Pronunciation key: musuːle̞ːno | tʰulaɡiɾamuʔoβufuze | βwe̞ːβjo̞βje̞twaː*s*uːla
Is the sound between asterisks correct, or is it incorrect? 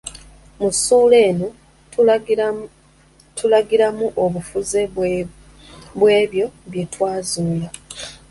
incorrect